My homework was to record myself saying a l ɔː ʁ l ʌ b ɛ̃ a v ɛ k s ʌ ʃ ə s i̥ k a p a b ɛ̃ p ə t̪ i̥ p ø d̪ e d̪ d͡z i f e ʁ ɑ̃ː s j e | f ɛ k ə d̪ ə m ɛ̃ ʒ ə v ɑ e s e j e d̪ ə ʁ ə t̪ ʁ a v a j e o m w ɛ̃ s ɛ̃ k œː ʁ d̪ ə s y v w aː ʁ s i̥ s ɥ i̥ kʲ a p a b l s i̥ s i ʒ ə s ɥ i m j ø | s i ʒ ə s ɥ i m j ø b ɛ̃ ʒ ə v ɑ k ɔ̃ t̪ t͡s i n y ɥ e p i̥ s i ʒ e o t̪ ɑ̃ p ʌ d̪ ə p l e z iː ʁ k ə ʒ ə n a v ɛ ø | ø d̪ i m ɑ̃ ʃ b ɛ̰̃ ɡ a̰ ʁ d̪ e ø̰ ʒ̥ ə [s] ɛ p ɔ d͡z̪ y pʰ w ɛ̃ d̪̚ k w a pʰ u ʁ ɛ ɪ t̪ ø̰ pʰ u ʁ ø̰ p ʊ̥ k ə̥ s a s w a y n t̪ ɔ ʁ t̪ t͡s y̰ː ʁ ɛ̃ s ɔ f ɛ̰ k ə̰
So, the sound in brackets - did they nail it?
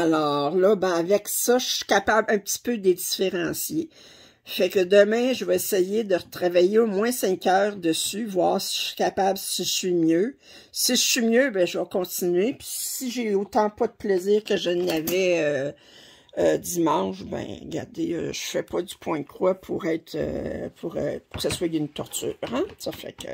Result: no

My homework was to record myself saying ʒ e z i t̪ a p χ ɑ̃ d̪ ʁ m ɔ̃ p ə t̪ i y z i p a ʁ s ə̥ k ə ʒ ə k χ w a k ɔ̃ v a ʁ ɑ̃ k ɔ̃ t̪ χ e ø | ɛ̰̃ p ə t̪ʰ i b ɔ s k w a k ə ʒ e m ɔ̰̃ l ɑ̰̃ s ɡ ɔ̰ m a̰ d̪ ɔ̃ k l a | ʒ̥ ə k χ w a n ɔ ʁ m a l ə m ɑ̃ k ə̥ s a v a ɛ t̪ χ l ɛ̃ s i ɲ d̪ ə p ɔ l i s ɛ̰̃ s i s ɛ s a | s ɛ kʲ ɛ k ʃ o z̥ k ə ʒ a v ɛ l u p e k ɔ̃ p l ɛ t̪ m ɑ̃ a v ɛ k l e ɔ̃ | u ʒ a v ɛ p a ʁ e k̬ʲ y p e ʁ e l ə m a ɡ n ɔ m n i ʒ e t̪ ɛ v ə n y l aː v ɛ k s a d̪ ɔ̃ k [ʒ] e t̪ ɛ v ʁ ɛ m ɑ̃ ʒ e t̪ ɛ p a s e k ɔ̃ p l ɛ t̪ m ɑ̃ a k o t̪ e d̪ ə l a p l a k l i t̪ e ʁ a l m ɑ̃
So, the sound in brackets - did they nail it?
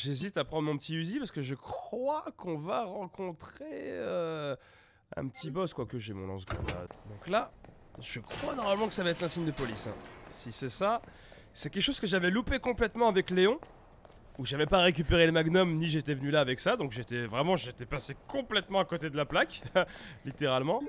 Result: yes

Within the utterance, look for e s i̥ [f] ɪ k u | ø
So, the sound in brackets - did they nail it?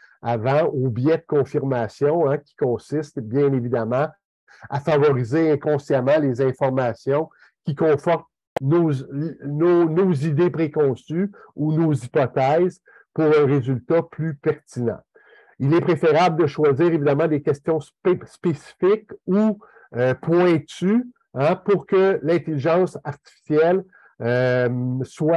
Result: yes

